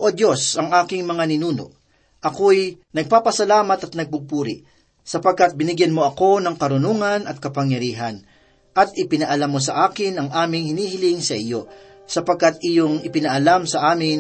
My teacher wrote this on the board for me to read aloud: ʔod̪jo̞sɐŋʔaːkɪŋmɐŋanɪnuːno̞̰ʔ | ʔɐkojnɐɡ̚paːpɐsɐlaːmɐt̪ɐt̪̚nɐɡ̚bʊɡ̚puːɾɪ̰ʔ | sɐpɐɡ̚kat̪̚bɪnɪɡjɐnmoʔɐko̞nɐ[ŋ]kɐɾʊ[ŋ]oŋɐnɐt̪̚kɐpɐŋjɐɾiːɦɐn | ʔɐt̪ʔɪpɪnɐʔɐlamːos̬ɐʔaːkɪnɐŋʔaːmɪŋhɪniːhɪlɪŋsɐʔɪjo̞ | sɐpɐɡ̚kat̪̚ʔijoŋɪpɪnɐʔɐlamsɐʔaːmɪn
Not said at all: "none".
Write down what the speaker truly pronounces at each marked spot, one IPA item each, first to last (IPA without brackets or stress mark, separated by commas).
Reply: ŋ, n